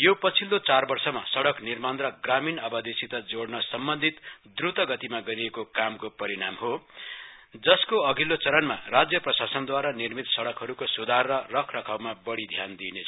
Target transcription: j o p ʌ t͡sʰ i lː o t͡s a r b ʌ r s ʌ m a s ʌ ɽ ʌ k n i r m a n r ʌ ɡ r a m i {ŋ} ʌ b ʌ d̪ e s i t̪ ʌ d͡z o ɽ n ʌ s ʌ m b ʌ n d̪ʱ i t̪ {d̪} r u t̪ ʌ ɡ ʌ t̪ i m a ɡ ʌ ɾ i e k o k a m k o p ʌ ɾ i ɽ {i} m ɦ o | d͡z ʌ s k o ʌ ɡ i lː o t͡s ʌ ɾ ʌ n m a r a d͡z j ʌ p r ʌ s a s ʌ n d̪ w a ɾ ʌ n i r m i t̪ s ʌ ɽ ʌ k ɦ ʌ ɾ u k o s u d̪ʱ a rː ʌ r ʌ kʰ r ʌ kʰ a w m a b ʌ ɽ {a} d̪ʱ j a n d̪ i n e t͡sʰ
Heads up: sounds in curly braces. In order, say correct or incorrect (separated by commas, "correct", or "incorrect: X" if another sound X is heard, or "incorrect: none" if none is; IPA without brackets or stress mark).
incorrect: n, correct, incorrect: a, incorrect: i